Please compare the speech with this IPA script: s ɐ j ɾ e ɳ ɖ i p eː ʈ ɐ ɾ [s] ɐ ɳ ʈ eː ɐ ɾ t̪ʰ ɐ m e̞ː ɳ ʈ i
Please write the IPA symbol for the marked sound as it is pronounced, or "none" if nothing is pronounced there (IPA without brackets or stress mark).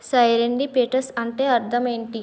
s